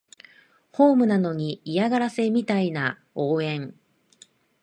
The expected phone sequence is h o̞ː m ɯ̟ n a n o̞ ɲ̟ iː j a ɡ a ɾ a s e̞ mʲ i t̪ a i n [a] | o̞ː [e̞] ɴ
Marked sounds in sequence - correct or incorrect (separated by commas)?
correct, incorrect